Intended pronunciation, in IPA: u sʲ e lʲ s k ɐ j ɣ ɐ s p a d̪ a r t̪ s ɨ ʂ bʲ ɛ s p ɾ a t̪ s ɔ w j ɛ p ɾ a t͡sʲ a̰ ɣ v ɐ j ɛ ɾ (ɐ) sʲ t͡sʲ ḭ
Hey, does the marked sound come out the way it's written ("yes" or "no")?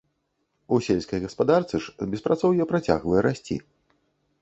no